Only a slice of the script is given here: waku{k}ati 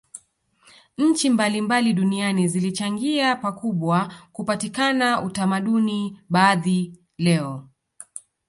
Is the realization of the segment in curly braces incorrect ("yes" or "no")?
yes